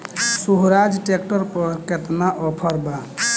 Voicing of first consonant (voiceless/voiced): voiceless